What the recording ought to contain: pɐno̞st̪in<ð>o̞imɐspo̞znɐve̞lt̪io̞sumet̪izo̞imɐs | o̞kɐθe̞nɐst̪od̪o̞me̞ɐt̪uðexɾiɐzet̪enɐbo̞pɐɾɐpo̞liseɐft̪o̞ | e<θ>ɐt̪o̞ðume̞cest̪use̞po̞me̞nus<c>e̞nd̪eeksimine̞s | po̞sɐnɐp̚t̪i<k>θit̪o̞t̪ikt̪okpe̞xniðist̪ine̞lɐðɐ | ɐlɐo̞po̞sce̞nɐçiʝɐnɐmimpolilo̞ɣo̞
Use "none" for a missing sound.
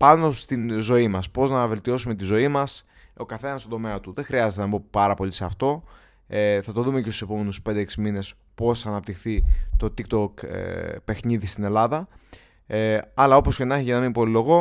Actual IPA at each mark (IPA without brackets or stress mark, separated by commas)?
z, θ, p, x